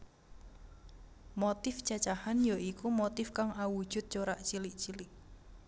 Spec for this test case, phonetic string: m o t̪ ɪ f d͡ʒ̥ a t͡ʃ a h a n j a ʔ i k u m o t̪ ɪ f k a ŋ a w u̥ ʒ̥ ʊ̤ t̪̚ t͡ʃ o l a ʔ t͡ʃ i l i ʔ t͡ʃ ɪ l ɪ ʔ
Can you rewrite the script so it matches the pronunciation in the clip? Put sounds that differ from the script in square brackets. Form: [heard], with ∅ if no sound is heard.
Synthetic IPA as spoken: m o t̪ ɪ f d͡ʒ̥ a t͡ʃ a h a n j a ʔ i k u m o t̪ ɪ f k a ŋ a w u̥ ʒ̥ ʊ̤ t̪̚ t͡ʃ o [ɾ] a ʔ t͡ʃ i l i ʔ t͡ʃ [i] l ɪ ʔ